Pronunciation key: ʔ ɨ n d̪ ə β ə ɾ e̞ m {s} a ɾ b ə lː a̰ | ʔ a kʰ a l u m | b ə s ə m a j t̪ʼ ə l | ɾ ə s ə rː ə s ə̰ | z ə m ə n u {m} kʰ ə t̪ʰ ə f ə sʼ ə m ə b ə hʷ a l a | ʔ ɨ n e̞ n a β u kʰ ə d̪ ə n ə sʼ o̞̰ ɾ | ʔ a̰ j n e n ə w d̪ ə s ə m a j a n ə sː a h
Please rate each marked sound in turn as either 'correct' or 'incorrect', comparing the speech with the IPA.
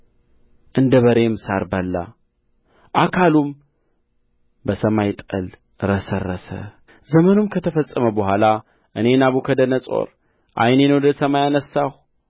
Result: correct, correct

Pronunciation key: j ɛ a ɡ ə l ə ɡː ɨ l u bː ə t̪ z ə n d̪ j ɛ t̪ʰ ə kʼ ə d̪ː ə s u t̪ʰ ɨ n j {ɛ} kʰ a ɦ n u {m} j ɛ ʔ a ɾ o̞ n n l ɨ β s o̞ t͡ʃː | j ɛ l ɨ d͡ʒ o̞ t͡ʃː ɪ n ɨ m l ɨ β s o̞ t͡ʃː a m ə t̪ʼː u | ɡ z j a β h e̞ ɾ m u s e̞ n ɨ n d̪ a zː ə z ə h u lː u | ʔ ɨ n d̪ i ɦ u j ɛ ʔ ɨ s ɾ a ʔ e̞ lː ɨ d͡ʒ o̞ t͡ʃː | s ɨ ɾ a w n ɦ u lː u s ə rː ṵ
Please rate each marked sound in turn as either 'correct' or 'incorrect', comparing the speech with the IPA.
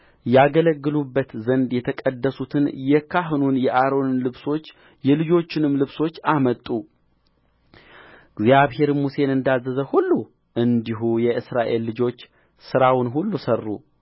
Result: correct, incorrect: n

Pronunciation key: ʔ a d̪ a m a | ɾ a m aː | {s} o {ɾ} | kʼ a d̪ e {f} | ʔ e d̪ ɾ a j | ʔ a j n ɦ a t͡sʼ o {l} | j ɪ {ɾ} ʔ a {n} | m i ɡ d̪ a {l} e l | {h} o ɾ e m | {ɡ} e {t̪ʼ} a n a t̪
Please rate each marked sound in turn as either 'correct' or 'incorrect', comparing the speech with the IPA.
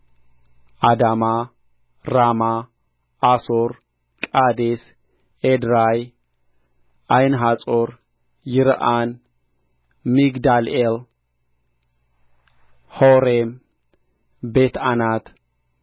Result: correct, correct, incorrect: s, incorrect: ɾ, correct, correct, correct, correct, incorrect: b, incorrect: t̪

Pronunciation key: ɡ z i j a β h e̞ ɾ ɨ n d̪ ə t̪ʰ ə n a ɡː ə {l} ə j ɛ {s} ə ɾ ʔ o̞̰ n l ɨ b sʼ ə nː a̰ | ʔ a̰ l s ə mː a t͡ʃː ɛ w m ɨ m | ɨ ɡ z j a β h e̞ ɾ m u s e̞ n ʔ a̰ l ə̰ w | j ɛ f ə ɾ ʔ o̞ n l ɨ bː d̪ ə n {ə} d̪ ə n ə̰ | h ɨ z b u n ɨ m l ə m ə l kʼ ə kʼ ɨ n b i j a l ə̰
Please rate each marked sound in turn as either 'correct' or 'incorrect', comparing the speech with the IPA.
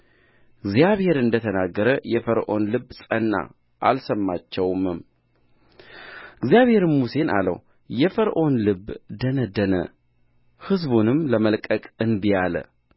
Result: incorrect: ɾ, incorrect: f, correct

